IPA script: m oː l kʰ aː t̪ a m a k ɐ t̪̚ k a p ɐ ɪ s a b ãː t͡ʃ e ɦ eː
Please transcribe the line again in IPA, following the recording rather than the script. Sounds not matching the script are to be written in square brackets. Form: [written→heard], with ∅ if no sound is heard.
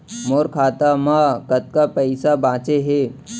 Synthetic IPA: m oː [l→ɾ] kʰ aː t̪ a m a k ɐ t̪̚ k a p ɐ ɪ s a b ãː t͡ʃ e ɦ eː